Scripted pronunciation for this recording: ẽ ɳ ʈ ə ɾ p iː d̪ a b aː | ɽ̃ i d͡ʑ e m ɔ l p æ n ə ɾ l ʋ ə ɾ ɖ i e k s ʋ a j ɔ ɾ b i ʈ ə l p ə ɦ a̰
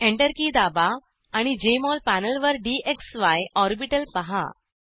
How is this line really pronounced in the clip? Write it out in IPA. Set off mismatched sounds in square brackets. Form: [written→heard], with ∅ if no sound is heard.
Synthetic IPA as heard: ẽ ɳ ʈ ə ɾ [p→k] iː d̪ a b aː | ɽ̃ i d͡ʑ e m ɔ l p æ n ə [ɾ→∅] l ʋ ə ɾ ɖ i e k s ʋ a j ɔ ɾ b i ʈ ə l p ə ɦ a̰